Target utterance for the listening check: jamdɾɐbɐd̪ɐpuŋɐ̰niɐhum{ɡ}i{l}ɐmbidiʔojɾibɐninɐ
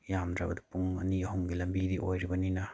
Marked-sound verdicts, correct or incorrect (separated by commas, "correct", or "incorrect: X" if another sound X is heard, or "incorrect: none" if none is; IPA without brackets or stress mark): correct, correct